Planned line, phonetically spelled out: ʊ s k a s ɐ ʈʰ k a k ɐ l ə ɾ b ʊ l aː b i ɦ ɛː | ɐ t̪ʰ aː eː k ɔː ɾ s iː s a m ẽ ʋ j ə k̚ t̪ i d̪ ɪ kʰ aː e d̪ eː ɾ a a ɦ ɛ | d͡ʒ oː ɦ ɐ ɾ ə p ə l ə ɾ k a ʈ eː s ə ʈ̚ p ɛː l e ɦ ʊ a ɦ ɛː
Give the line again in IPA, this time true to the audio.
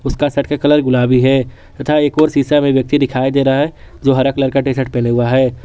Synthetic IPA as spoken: ʊ s k a s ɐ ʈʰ k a k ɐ l ə ɾ ɡ ʊ l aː b i ɦ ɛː | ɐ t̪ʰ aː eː k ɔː ɾ s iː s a m ẽ ʋ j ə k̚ t̪ i d̪ ɪ kʰ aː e d̪ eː ɾ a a ɦ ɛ | d͡ʒ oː ɦ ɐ ɾ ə k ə l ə ɾ k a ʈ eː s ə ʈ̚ p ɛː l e ɦ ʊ a ɦ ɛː

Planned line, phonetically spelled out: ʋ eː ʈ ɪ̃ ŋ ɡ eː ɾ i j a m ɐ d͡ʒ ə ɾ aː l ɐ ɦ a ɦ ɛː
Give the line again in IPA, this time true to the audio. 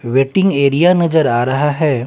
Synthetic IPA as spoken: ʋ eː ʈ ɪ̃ ŋ ɡ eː ɾ i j a n ɐ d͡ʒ ə ɾ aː ɾ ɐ ɦ a ɦ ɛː

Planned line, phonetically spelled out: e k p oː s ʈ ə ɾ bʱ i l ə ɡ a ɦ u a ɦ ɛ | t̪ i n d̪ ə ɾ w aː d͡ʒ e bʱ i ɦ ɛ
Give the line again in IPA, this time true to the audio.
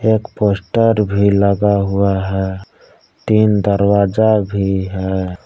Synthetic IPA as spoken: e k p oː s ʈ ə ɾ bʱ i l ə ɡ a ɦ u a ɦ ɛ | t̪ i n d̪ ə ɾ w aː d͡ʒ a bʱ i ɦ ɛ

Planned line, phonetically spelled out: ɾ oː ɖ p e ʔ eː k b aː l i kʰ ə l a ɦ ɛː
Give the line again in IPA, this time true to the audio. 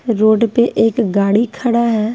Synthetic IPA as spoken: ɾ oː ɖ p e ʔ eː k ɡ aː ɽ i kʰ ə ɽ a ɦ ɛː

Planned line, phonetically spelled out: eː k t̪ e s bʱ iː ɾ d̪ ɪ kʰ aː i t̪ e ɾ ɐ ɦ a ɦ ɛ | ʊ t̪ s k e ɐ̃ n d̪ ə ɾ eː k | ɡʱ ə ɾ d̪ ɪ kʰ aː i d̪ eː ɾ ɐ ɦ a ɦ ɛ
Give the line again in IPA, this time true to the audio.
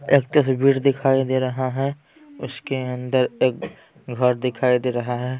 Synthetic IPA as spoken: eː k t̪ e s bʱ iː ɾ d̪ ɪ kʰ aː i d̪ e ɾ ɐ ɦ a ɦ ɛ | ʊ s k e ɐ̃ n d̪ ə ɾ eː k | ɡʱ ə ɾ d̪ ɪ kʰ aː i d̪ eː ɾ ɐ ɦ a ɦ ɛ

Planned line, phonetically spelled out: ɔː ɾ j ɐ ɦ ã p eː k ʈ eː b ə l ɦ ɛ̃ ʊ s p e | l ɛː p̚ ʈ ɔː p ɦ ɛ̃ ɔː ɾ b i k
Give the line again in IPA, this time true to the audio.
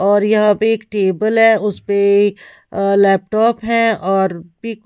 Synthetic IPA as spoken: ɔː ɾ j ɐ ɦ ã p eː k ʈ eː b ə l ɦ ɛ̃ ʊ s p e | l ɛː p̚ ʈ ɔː p ɦ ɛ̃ ɔː ɾ b i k

